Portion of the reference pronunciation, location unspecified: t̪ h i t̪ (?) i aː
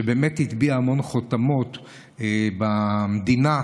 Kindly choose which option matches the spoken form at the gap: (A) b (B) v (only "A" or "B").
A